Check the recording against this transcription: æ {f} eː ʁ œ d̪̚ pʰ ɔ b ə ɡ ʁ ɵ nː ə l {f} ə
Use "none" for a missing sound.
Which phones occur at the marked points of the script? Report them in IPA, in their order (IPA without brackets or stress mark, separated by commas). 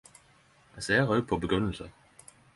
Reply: s, s